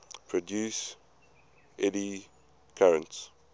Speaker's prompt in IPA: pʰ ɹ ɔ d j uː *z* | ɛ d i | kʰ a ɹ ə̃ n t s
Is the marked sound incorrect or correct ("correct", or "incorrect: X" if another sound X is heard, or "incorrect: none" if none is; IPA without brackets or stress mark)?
incorrect: s